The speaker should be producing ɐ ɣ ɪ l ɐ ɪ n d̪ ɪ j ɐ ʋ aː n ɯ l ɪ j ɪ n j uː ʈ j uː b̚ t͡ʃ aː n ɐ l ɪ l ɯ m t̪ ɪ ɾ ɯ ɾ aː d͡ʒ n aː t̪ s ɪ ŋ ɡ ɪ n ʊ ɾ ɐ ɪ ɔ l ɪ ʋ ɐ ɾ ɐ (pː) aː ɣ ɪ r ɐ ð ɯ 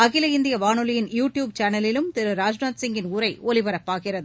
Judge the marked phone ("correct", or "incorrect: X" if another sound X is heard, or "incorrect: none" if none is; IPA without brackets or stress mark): correct